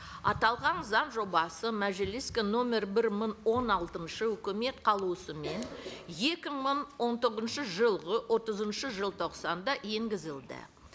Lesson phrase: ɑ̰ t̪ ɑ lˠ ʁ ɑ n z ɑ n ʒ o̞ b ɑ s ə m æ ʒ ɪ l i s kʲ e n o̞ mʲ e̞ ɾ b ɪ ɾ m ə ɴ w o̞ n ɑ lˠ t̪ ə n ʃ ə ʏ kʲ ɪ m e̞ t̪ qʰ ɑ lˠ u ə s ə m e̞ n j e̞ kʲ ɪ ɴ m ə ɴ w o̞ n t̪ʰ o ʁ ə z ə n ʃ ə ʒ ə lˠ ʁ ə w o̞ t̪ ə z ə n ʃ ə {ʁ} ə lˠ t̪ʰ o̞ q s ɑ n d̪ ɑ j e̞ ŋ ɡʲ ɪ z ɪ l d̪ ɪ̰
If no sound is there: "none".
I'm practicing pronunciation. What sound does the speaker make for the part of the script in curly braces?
ʒ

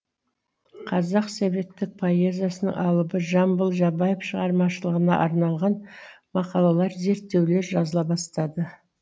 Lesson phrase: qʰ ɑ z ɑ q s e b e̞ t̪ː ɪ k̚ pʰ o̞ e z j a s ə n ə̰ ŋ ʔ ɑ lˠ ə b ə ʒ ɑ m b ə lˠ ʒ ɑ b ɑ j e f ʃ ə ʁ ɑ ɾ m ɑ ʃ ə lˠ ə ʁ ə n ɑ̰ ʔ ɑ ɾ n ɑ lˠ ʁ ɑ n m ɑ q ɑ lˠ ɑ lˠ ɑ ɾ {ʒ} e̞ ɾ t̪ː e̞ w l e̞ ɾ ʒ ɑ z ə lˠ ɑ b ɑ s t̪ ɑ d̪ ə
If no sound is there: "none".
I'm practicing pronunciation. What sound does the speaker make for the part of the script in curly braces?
z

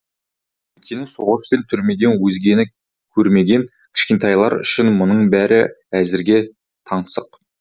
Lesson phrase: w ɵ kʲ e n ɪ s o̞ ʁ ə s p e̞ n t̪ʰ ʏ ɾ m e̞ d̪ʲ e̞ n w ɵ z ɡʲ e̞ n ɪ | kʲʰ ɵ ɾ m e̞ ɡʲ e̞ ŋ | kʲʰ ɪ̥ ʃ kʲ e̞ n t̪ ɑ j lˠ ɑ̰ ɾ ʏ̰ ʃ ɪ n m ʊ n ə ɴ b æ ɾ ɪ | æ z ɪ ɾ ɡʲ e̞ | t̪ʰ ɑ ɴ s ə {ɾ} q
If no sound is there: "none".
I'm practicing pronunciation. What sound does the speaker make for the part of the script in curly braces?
none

